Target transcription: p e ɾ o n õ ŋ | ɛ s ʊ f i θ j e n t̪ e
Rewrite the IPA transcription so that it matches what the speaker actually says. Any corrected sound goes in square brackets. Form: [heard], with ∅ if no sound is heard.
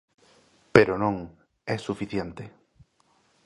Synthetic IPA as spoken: p e ɾ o n õ ŋ | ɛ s [u] f i θ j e n t̪ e